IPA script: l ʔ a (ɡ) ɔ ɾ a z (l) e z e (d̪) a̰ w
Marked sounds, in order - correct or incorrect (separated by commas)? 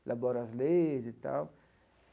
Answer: incorrect, correct, incorrect